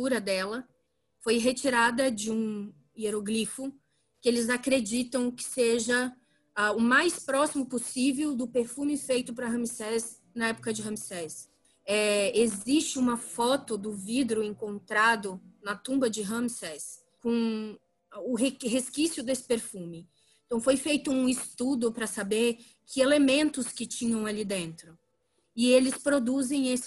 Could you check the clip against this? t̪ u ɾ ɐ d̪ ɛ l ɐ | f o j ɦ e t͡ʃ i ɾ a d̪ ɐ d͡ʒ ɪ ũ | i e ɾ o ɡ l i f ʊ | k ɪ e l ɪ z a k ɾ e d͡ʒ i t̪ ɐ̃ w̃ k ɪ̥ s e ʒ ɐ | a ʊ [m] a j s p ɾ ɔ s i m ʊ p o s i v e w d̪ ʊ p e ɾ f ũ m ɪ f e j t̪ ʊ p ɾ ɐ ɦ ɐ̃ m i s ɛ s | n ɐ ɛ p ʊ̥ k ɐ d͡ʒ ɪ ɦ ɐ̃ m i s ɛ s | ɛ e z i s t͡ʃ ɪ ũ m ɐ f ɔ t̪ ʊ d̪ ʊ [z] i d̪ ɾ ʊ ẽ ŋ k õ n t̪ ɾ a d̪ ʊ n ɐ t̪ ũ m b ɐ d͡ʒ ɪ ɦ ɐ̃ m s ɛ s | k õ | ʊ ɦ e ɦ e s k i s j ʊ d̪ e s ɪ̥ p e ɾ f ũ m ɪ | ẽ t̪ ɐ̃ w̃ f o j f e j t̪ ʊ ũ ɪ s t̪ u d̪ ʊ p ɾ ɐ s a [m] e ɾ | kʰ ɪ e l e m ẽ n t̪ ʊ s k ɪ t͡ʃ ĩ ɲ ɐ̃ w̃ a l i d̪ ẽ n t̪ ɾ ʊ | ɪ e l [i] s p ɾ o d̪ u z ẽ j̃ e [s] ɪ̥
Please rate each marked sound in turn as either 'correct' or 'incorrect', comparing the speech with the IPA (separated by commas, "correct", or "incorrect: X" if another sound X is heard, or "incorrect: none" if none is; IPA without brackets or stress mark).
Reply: correct, incorrect: v, incorrect: b, incorrect: ɪ, correct